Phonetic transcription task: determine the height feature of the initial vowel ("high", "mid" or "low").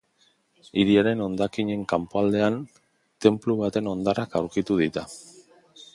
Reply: high